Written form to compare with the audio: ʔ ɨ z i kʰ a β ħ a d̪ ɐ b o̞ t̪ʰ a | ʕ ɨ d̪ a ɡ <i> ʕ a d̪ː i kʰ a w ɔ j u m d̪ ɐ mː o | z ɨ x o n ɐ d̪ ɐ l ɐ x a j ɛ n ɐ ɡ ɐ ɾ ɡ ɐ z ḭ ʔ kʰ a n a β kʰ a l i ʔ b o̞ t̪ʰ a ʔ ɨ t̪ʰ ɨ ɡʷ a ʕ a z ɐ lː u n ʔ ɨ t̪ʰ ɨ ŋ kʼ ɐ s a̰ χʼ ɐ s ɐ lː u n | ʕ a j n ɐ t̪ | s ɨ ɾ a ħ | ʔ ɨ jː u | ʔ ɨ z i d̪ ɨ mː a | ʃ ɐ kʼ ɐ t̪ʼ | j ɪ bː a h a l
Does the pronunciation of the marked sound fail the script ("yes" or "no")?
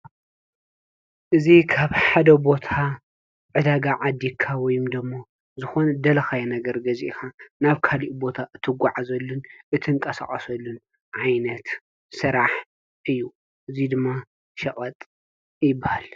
yes